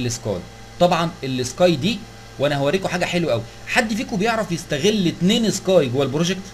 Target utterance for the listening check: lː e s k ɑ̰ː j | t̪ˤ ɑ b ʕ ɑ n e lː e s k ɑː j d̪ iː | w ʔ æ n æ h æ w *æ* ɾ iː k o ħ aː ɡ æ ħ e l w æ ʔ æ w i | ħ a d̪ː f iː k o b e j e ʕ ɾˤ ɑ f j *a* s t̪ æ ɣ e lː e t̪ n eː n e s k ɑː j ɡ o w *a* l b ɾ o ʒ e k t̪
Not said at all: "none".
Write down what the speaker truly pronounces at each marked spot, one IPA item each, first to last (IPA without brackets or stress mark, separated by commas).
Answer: æ, e, æ